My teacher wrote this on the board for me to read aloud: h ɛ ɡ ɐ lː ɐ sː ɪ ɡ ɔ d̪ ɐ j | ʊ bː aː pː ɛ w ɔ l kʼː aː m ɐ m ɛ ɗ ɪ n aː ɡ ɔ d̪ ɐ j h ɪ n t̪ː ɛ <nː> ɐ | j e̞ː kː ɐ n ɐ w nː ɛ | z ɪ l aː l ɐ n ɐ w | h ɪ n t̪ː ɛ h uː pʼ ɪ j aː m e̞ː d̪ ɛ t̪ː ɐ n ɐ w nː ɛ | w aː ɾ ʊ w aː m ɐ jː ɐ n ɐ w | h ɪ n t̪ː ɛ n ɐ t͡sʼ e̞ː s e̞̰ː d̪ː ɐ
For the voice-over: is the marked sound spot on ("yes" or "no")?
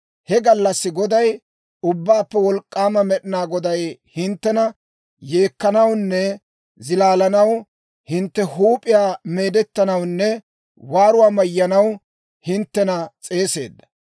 no